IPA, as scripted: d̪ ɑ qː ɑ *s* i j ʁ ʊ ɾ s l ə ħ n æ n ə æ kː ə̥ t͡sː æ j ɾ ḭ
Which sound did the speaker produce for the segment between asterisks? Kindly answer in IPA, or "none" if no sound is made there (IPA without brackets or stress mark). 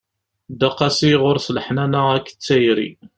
s